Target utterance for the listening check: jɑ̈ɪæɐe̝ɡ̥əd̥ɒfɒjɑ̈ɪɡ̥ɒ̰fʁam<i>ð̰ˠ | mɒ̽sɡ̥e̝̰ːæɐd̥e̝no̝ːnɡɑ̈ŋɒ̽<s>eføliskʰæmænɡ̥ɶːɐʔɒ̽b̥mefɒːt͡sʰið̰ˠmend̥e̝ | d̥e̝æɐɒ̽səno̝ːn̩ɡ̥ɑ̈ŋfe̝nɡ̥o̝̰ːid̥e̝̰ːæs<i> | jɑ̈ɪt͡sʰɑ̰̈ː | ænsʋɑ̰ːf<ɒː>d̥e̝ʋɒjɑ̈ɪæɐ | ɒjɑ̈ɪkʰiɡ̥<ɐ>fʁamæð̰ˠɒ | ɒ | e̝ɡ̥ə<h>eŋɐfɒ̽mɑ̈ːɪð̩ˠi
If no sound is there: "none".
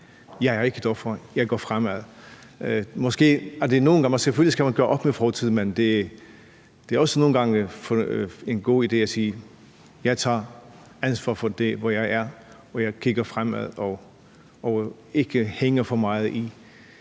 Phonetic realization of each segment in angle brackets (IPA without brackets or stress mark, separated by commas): æ, s, iː, ɒ, ɐ, h